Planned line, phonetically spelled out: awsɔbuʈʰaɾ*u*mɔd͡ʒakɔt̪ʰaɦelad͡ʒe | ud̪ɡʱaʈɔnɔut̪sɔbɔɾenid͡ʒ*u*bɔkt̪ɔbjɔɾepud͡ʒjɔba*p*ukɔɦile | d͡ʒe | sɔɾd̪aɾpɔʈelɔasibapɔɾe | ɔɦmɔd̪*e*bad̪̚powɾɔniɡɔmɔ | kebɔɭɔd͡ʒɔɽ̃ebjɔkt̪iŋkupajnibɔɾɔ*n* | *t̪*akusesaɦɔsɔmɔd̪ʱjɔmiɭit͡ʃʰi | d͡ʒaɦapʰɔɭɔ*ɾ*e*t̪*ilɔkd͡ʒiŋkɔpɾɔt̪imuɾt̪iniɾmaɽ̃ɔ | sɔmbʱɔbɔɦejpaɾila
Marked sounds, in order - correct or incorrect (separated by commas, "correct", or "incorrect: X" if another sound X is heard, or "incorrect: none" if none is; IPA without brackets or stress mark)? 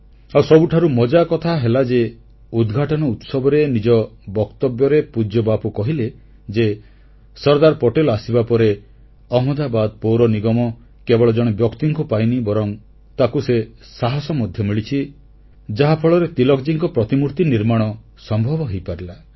correct, incorrect: ɔ, correct, incorrect: a, incorrect: ŋ, correct, correct, correct